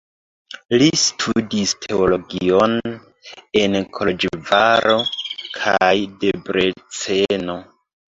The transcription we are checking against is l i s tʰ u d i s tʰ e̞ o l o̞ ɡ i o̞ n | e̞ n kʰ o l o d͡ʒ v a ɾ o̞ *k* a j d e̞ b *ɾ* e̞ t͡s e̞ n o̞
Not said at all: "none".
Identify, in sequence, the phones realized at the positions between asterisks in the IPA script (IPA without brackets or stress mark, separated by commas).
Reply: kʰ, ɾ